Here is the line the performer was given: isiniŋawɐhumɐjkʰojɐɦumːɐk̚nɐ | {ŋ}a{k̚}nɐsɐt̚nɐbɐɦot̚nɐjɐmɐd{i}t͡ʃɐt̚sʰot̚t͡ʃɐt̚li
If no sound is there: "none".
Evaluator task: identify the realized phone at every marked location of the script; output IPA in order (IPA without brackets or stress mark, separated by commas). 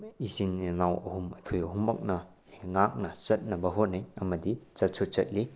ŋ, k̚, i